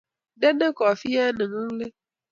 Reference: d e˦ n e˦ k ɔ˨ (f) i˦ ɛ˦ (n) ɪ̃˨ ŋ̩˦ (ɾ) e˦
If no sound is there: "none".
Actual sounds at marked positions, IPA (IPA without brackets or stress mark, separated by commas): f, n, l